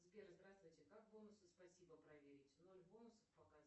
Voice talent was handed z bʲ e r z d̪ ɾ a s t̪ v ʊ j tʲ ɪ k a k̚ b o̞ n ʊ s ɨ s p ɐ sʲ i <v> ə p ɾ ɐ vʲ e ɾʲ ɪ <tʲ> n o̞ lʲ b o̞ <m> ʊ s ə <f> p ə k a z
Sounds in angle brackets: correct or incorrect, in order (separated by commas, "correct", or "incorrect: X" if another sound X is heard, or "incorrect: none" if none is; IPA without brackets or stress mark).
incorrect: b, correct, incorrect: n, correct